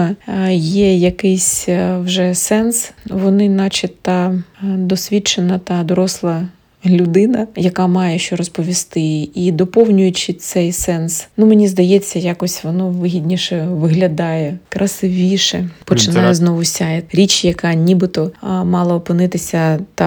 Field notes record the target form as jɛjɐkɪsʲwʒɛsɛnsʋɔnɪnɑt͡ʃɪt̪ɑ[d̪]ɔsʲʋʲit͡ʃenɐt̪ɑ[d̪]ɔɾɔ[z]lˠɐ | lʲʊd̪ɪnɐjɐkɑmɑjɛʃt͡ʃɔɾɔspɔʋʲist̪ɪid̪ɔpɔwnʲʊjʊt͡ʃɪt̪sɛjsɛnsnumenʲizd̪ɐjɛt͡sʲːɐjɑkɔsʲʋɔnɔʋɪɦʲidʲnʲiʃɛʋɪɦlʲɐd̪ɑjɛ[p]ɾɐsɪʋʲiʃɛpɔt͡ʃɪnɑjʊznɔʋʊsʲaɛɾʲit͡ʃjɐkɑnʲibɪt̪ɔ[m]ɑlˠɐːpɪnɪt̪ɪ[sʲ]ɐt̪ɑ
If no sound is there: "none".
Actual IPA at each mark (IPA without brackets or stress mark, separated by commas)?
d̪, d̪, s, k, m, sʲ